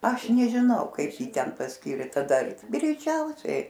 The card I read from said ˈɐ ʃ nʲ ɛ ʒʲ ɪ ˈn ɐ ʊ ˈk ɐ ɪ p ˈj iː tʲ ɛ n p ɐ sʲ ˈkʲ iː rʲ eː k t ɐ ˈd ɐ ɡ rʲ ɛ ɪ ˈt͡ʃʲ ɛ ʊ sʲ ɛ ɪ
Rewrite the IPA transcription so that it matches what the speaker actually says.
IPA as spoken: ˈɐ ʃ nʲ ɛ ʒʲ ɪ ˈn ɐ ʊ ˈk ɐ ɪ p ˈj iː tʲ ɛ n p ɐ sʲ ˈkʲ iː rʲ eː t ɐ ˈd ɐ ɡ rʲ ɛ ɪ ˈt͡ʃʲ ɛ ʊ sʲ ɛ ɪ